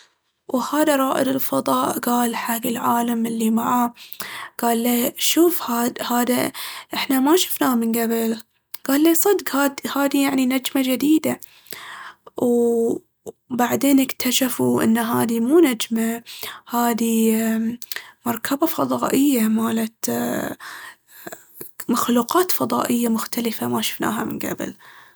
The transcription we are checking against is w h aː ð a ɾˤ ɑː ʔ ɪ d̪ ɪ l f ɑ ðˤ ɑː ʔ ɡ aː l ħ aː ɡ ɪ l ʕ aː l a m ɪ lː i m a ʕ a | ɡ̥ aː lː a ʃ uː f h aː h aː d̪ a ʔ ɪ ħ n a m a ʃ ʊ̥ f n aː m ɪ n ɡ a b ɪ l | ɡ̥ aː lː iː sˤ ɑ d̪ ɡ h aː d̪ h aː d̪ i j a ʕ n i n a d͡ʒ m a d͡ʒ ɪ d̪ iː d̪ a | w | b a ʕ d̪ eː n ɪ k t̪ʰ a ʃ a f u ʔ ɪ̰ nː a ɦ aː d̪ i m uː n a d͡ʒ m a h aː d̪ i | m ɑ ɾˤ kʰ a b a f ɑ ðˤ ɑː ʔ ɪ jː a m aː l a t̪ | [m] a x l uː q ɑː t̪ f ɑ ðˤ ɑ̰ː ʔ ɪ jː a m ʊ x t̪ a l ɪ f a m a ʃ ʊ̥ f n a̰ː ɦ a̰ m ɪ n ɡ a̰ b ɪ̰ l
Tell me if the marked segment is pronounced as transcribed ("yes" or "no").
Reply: yes